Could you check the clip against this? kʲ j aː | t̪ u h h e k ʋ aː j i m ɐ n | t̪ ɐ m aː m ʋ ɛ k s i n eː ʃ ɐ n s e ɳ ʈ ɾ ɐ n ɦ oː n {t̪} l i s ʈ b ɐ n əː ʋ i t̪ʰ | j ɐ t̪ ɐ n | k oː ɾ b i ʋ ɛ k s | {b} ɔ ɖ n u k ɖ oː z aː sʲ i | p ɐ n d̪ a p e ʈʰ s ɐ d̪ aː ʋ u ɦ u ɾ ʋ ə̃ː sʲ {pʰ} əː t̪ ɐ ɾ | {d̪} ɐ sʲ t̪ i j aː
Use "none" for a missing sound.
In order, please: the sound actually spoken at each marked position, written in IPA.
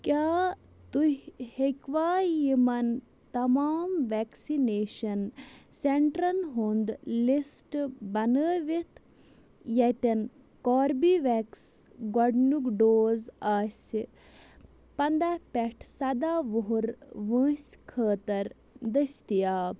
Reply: d̪, ɡ, kʰ, d̪

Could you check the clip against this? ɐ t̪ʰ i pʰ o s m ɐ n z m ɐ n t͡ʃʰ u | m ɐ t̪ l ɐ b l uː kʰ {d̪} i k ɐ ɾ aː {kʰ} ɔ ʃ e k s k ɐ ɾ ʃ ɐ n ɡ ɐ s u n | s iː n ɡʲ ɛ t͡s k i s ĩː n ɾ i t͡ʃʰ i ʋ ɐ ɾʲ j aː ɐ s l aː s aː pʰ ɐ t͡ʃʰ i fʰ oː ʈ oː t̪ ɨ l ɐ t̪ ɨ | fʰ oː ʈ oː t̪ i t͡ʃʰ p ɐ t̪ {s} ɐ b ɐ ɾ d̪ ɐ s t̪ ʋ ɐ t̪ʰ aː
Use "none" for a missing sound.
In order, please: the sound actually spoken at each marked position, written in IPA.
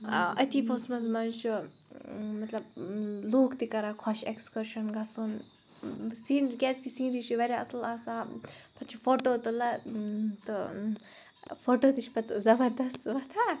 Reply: t̪, kʰ, z

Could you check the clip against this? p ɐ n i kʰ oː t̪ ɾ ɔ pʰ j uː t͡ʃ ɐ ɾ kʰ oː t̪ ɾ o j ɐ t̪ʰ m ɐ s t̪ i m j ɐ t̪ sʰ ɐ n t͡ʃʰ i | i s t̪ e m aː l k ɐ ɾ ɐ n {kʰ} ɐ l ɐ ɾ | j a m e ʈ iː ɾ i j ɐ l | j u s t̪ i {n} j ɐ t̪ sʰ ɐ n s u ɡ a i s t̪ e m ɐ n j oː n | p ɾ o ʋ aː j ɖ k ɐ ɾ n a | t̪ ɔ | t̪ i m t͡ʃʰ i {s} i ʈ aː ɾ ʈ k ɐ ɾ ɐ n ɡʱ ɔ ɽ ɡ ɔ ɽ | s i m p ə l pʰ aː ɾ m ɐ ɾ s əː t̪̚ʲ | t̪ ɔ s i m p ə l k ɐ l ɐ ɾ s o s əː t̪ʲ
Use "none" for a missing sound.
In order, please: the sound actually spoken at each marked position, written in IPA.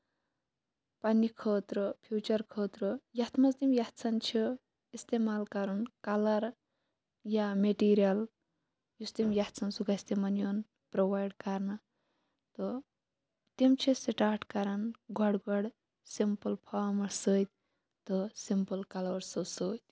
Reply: k, m, s

